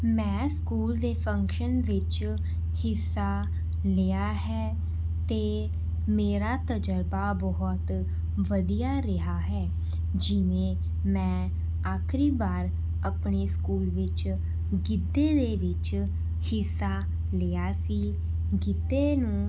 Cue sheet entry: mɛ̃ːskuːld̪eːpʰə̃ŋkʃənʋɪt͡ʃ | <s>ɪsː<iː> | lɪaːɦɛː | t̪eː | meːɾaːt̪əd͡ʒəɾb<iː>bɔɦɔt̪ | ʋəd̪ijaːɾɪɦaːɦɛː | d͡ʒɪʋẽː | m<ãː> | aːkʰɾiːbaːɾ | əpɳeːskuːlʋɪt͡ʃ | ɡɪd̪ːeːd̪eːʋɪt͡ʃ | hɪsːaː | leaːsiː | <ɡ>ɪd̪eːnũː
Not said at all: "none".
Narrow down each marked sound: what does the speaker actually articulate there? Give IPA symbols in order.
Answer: h, aː, aː, ɛ̃ː, ɡ

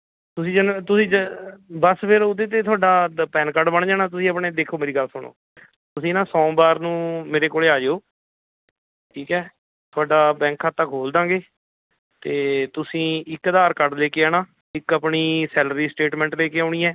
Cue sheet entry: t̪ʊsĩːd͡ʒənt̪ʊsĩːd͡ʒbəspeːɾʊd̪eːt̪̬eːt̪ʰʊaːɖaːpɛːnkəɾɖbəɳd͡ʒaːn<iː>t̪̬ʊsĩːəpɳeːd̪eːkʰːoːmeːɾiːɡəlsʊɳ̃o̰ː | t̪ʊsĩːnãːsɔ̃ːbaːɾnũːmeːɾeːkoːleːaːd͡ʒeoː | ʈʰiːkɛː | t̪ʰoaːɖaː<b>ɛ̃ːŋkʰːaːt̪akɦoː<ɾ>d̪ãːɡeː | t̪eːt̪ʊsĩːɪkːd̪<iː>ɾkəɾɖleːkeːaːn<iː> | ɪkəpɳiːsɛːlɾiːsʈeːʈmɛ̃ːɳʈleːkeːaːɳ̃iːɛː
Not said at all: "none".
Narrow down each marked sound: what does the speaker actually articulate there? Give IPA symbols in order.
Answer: aː, b, l, aː, aː

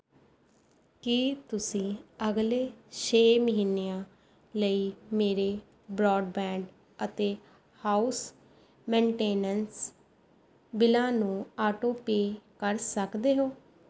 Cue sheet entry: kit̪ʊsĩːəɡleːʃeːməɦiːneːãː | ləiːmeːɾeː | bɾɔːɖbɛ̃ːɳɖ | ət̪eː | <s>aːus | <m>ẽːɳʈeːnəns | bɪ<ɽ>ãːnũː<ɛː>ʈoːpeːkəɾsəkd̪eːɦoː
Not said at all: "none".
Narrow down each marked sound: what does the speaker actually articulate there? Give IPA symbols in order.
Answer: h, m, l, aː

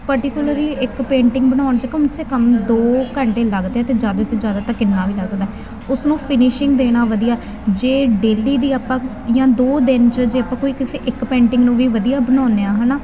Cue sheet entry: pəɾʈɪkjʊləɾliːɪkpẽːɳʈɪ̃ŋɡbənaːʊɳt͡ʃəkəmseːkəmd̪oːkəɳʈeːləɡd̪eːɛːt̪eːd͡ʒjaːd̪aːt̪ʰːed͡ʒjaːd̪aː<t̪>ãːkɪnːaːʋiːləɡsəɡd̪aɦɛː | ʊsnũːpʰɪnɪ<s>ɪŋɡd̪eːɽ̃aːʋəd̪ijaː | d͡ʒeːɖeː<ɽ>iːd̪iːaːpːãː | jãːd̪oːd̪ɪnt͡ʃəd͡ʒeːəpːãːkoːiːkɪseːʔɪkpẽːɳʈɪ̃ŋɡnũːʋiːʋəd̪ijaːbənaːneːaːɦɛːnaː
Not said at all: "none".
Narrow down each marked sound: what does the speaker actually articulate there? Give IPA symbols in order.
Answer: t̪, ʃ, l

